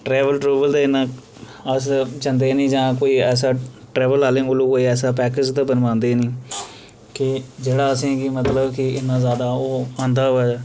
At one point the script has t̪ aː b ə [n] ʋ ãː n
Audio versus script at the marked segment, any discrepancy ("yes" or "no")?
no